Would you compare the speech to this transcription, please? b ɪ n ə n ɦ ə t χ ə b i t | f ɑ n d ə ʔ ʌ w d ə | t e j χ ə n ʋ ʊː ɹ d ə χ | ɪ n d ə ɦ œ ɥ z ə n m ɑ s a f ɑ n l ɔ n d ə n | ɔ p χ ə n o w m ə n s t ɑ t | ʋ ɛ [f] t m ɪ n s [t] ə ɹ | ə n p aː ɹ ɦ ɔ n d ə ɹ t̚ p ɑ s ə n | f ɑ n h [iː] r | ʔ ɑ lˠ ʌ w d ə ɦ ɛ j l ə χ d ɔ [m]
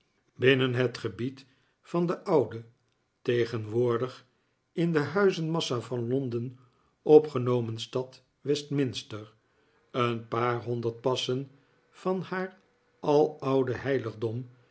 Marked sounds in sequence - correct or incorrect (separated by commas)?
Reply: incorrect, correct, incorrect, correct